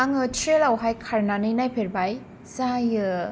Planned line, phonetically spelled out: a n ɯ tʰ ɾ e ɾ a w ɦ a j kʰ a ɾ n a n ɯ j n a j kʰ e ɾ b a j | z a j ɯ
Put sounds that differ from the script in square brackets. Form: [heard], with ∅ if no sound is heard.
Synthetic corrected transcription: a [ŋ] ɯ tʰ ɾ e [l] a w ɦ a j kʰ a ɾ n a n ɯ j n a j [pʰ] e ɾ b a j | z a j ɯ